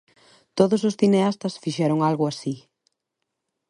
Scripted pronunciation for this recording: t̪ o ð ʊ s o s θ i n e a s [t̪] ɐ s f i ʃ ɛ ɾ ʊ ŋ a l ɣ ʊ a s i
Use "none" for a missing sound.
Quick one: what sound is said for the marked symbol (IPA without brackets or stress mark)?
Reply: t̪